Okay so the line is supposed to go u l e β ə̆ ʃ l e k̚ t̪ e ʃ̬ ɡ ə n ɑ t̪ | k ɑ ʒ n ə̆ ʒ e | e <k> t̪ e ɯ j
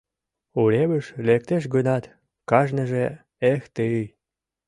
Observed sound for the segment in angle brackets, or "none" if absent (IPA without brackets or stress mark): x